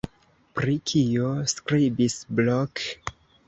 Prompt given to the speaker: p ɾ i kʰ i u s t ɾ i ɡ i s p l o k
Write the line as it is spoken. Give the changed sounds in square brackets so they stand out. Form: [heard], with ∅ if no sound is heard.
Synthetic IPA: p ɾ i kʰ i [o] s [k] ɾ i [b] i s [b] l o k